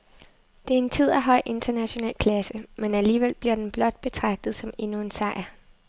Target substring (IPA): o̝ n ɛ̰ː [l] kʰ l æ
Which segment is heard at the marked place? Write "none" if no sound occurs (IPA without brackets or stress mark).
l